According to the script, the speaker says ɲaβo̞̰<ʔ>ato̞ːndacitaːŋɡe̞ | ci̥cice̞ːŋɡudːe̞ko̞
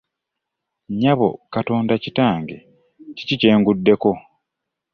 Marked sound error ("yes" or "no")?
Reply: yes